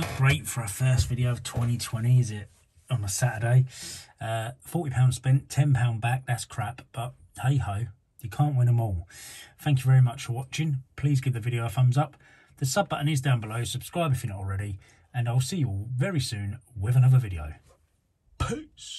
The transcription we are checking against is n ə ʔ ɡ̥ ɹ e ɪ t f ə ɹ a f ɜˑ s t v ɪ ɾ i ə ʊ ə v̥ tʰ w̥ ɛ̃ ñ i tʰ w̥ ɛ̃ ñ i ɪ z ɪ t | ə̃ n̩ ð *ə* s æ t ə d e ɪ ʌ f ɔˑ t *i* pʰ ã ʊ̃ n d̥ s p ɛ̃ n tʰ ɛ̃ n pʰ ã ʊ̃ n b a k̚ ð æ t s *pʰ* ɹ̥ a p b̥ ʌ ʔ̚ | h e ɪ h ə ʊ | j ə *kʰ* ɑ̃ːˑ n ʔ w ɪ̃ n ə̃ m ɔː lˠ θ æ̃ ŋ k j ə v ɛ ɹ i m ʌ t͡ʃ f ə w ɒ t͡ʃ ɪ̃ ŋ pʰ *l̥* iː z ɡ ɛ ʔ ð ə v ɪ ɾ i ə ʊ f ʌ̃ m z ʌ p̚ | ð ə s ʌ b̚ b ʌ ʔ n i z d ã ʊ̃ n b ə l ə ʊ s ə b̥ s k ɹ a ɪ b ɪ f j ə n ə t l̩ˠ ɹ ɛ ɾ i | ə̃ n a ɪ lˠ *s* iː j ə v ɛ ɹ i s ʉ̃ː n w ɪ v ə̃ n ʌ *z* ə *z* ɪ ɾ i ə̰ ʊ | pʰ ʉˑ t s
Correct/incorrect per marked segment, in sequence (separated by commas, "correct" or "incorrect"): correct, correct, incorrect, correct, correct, correct, incorrect, incorrect